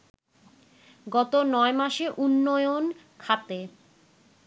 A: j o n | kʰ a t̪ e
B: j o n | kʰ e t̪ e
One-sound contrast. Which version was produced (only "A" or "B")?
A